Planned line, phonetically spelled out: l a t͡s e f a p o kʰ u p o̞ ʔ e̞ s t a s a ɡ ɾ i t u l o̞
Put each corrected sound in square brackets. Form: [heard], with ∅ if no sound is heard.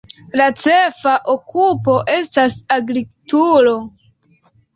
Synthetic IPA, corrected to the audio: l a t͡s e f a [ʔ] o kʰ u p o̞ ʔ e̞ s t a s a ɡ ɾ i t u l o̞